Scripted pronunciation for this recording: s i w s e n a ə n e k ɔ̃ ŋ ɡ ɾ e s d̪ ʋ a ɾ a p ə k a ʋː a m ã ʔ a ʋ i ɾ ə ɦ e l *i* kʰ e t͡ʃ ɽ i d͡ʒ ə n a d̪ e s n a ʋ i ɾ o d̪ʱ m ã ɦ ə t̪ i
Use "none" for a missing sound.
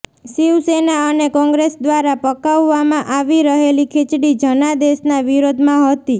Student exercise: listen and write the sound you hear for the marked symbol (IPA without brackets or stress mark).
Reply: i